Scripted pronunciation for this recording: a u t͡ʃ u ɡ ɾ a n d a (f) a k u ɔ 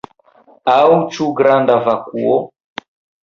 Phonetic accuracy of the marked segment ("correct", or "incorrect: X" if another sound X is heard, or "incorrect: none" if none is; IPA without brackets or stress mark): incorrect: v